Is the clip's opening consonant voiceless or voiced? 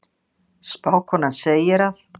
voiceless